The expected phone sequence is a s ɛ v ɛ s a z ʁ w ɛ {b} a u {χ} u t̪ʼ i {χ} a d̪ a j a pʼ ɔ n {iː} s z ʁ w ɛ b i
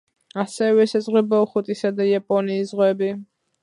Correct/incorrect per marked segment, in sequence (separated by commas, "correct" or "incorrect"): correct, correct, incorrect, correct